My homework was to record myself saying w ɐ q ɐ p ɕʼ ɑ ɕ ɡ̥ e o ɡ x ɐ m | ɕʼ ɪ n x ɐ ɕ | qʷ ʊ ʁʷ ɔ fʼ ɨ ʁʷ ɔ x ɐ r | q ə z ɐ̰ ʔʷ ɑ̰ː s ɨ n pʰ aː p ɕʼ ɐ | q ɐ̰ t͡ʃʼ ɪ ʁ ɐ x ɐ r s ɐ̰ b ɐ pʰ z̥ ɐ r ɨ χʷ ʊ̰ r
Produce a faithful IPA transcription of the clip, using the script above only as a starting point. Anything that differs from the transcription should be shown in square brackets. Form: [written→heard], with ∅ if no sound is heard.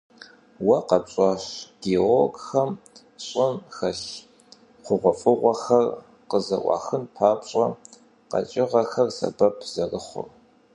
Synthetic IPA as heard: w ɐ q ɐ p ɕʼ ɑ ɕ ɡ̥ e o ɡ x ɐ m | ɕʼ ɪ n x ɐ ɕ | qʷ ʊ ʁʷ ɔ fʼ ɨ ʁʷ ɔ x ɐ r | q ə z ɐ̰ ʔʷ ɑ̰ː [s→x] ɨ n pʰ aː p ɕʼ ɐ | q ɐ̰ t͡ʃʼ ɪ ʁ ɐ x ɐ r s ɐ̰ b ɐ pʰ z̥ ɐ r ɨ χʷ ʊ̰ r